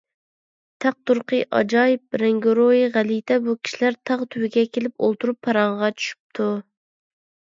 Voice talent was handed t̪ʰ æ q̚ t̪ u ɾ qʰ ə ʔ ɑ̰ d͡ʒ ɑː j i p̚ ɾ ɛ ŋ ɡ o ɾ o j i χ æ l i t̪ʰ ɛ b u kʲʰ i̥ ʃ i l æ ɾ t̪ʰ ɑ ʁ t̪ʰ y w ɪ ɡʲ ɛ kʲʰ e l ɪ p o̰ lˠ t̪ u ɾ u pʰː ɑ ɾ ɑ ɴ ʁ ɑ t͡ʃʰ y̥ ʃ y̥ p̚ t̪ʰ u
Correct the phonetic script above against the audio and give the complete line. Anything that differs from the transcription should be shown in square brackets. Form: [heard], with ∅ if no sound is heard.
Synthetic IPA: t̪ʰ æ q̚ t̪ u ɾ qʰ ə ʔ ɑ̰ d͡ʒ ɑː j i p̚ ɾ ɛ ŋ ɡ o ɾ o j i [ʁ] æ l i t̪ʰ ɛ b u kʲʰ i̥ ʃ i l æ ɾ t̪ʰ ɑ ʁ t̪ʰ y w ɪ ɡʲ ɛ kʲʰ e l ɪ p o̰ lˠ t̪ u ɾ u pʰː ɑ ɾ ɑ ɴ ʁ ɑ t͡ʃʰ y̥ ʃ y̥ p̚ t̪ʰ u